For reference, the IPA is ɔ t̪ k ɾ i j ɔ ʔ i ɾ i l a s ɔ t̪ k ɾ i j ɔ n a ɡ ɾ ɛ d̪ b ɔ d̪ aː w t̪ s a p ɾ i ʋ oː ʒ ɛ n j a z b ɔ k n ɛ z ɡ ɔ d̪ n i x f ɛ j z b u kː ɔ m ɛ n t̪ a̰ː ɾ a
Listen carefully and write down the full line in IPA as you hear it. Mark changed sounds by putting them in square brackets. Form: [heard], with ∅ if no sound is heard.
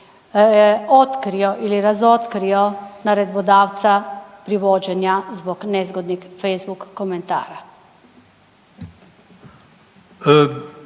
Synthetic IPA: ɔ t̪ k ɾ i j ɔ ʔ i [l] i [ɾ] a [z] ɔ t̪ k ɾ i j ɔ n a [∅] ɾ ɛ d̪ b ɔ d̪ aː w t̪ s a p ɾ i ʋ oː [d͡ʒ] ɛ n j a z b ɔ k n ɛ z ɡ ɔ d̪ n i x f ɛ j z b u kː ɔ m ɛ n t̪ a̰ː ɾ a